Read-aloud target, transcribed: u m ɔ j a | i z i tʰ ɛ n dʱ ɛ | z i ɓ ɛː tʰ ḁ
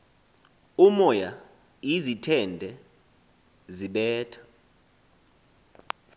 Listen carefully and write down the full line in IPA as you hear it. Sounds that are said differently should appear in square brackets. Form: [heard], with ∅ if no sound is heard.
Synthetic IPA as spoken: u m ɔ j a | i z i tʰ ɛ n dʱ ɛ | z i ɓ ɛː tʰ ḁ